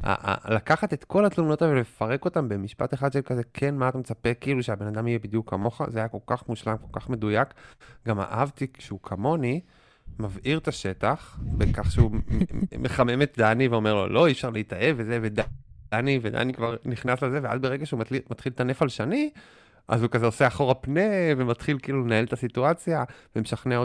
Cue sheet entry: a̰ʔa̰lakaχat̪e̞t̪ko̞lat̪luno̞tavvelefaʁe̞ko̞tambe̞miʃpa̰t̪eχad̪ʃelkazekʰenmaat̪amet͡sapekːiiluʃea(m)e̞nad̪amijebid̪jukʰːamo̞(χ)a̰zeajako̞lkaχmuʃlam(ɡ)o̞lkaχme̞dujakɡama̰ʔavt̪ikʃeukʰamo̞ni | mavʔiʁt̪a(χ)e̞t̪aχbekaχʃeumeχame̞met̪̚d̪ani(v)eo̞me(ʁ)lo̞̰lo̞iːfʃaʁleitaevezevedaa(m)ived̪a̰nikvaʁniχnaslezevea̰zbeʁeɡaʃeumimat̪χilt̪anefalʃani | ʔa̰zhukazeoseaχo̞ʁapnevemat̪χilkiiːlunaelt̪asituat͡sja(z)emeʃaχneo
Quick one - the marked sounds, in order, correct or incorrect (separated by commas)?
incorrect, correct, incorrect, incorrect, correct, correct, incorrect, incorrect